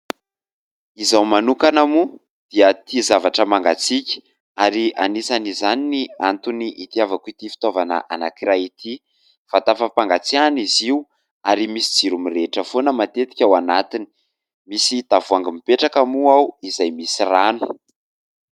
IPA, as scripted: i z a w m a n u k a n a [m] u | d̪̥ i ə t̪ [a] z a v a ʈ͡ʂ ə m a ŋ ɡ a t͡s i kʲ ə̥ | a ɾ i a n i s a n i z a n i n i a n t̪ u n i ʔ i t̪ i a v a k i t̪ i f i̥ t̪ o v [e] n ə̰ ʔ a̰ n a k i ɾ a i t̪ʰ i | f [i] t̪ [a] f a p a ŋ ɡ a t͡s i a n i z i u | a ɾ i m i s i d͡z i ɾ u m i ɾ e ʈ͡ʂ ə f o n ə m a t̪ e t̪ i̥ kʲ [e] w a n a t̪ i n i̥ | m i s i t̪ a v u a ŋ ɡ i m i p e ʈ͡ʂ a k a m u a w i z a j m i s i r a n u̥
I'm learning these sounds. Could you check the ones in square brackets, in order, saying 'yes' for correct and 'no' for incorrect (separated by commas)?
yes, no, no, no, yes, no